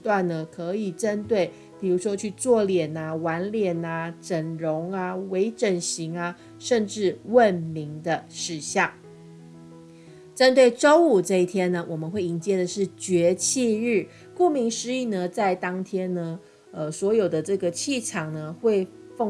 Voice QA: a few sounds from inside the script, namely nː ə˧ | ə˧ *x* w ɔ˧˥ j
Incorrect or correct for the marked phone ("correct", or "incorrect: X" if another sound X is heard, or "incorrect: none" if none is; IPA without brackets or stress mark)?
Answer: incorrect: s